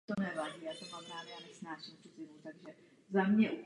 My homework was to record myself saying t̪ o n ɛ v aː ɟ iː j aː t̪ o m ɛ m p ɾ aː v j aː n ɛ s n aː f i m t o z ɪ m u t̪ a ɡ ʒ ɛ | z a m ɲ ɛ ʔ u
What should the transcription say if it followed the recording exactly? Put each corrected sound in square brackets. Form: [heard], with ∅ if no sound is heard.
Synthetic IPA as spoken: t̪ o n ɛ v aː ɟ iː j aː t̪ o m [a] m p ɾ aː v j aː n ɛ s n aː [ʃ] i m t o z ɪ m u t̪ a ɡ ʒ ɛ | z a m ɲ ɛ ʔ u